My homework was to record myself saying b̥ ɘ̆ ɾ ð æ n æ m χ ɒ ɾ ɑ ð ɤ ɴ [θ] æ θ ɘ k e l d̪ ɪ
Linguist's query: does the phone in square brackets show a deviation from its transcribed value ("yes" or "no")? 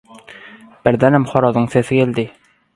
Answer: yes